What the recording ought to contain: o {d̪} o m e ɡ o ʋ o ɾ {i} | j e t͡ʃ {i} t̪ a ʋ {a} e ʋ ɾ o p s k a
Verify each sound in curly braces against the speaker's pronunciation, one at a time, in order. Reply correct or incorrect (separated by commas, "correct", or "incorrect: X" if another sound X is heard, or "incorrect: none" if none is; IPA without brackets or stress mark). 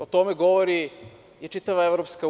incorrect: t̪, correct, correct, correct